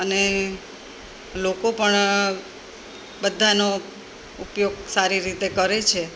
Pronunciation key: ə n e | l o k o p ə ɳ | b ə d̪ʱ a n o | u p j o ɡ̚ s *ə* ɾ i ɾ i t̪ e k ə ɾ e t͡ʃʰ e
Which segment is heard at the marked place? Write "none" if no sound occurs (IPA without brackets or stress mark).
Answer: a